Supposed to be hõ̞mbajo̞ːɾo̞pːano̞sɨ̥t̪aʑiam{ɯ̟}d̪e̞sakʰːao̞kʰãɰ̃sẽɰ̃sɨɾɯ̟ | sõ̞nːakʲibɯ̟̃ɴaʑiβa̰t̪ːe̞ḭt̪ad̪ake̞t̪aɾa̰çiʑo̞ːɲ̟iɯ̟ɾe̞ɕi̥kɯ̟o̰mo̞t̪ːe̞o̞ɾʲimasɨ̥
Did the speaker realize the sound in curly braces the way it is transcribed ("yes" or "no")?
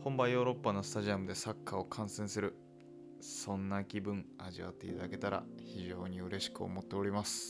yes